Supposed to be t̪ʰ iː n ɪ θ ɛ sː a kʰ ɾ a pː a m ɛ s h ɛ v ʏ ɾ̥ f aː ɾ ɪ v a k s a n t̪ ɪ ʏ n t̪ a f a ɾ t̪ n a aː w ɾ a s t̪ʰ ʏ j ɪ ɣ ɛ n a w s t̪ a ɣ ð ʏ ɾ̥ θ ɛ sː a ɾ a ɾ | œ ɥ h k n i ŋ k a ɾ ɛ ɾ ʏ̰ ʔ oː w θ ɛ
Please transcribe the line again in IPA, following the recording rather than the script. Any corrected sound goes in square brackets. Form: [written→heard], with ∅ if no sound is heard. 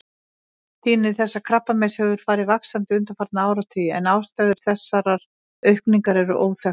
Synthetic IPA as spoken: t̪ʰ iː n ɪ θ ɛ sː a kʰ ɾ a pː a m ɛ s h ɛ v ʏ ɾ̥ f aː ɾ ɪ v a k s a n t̪ ɪ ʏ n t̪ a f a ɾ t̪ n a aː w ɾ a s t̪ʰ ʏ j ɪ [ɣ→∅] ɛ n a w s t̪ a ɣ ð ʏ ɾ̥ θ ɛ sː a ɾ a ɾ | œ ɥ h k n i ŋ k a ɾ ɛ ɾ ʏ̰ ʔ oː w θ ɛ